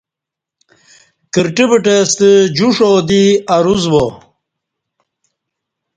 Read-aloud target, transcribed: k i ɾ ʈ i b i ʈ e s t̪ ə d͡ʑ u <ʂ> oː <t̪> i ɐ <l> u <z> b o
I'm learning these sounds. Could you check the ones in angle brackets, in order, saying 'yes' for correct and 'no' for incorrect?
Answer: yes, no, no, yes

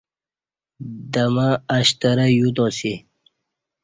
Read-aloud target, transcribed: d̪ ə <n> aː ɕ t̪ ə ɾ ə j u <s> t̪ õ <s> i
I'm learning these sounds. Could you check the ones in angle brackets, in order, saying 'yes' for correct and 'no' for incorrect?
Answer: no, no, yes

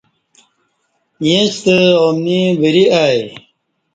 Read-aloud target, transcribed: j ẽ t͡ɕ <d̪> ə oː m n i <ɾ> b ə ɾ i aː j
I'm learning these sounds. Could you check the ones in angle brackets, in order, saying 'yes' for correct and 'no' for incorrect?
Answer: no, no

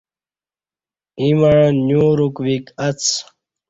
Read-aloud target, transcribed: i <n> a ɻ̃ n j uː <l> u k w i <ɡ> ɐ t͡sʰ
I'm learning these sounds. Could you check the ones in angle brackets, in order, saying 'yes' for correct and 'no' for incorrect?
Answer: no, no, no

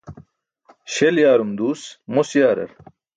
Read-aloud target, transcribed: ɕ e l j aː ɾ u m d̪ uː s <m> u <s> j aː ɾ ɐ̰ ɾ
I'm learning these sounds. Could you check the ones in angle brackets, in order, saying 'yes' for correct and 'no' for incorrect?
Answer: yes, yes

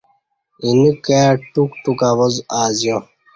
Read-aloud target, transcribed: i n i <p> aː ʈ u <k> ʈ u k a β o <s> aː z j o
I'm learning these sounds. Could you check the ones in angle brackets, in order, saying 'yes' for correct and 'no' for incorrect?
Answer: no, yes, no

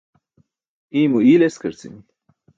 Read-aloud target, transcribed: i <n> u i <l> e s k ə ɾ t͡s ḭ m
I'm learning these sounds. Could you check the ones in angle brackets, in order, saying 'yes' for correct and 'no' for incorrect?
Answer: no, yes

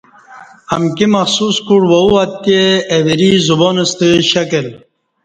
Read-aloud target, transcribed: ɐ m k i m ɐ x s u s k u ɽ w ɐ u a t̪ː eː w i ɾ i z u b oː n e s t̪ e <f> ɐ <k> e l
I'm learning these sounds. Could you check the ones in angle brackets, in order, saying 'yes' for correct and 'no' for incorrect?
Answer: no, yes

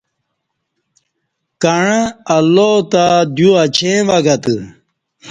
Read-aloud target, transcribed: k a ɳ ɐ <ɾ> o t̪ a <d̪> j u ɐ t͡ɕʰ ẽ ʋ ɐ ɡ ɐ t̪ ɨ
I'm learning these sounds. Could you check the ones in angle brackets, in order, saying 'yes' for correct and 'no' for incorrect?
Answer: no, yes

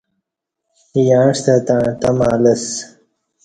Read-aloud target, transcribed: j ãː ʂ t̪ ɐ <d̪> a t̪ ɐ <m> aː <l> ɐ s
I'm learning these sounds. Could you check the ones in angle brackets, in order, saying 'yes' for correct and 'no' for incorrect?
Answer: no, yes, yes

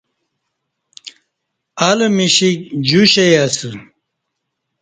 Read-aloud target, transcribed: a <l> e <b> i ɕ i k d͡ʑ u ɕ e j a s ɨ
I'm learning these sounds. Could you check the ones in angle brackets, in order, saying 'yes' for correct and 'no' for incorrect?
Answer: yes, no

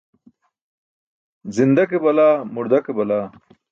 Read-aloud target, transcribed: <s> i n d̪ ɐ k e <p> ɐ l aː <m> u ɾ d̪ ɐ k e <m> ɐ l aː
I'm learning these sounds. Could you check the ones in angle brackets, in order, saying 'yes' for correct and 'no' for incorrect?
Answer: no, no, yes, no

